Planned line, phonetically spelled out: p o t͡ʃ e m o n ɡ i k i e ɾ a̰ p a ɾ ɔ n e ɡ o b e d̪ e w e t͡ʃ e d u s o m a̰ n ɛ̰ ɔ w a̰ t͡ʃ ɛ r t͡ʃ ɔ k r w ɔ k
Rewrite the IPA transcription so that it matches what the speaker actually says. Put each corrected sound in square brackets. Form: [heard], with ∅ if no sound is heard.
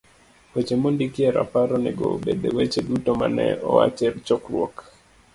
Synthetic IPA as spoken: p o t͡ʃ e m o n [d] i k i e ɾ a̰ p a ɾ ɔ n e ɡ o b e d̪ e w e t͡ʃ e d u [t] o m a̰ n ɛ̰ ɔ w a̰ t͡ʃ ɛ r t͡ʃ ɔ k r w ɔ k

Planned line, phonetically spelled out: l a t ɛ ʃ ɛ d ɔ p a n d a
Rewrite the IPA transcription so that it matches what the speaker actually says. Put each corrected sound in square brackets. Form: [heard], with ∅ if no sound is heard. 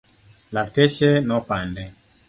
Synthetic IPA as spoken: l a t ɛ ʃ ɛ [n] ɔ p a n d [ɛ]

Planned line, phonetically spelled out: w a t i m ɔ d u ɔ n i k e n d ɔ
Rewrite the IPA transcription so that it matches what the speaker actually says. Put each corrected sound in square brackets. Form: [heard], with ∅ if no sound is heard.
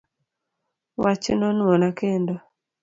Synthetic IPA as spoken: w a [t͡ʃ] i [n] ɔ [n] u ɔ n [a] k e n d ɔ

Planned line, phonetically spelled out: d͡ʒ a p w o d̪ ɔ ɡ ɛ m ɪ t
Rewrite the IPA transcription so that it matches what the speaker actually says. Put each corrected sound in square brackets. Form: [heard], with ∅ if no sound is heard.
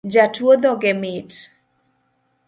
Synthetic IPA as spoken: d͡ʒ a [t] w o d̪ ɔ ɡ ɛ m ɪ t

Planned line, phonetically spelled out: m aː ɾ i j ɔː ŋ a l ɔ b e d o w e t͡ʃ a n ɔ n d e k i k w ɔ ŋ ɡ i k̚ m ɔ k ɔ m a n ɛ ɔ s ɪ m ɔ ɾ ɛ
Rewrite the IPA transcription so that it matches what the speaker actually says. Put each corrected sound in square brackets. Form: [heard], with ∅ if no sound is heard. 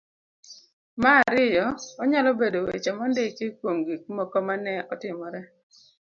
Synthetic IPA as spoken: m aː ɾ [ɪ] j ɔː [ɲ] a l ɔ b e d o w e t͡ʃ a [m] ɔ n d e k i k w [o] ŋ ɡ i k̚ m ɔ k ɔ m a n ɛ ɔ [t] ɪ m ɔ ɾ ɛ

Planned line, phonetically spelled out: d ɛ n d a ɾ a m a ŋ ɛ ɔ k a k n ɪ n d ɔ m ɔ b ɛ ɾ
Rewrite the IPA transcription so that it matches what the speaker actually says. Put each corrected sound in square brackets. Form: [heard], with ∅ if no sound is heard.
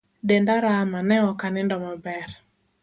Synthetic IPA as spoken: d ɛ n d a ɾ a m a [n] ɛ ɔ k a [∅] n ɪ n d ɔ m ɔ b ɛ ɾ

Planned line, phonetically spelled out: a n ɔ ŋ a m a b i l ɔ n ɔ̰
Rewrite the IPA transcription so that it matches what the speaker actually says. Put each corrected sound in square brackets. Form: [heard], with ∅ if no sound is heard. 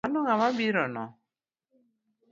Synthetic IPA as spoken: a n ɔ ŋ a m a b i [ɾ] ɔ n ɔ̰

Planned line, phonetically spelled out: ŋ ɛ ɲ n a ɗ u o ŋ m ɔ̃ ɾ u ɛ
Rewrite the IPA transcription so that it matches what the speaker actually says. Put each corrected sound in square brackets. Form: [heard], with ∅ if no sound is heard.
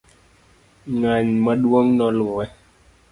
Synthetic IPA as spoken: ŋ [a] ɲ [m] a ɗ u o ŋ [n] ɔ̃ [l] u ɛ

